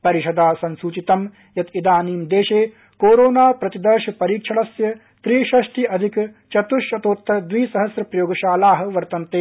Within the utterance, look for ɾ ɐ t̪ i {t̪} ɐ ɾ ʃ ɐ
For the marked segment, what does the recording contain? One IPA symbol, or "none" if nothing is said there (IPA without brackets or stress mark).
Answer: d̪